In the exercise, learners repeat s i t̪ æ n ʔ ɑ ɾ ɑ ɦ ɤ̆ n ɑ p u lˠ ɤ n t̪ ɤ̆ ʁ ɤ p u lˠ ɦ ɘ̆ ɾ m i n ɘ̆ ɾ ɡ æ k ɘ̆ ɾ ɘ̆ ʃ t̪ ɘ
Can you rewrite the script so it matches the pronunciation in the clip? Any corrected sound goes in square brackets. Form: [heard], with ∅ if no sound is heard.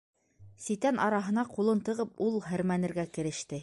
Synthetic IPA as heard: s i t̪ æ n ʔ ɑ ɾ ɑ ɦ ɤ̆ n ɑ [q] u lˠ ɤ n t̪ ɤ̆ ʁ ɤ p u lˠ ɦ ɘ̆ ɾ m [æ] n ɘ̆ ɾ ɡ æ k ɘ̆ ɾ ɘ̆ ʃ t̪ ɘ